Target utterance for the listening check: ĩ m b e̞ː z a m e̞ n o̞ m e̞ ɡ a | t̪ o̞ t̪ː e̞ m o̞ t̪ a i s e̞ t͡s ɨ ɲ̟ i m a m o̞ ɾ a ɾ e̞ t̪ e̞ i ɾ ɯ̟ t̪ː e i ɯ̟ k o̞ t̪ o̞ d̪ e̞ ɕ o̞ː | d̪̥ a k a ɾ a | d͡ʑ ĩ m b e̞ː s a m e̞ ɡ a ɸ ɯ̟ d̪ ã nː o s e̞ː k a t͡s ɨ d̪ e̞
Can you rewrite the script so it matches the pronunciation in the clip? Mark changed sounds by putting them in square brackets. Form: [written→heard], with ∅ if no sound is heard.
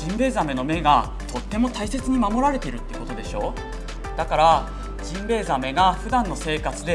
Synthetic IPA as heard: ĩ m b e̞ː z a m e̞ n o̞ m e̞ ɡ a | t̪ o̞ t̪ː e̞ m o̞ t̪ a i s e̞ t͡s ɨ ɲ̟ i m a m o̞ ɾ a ɾ e̞ t̪ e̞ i ɾ ɯ̟ t̪ː e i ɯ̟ k o̞ t̪ o̞ d̪ e̞ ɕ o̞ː | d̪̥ a k a ɾ a | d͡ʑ ĩ m b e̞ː [s→z] a m e̞ ɡ a ɸ ɯ̟ d̪ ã nː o s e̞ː k a t͡s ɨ d̪ e̞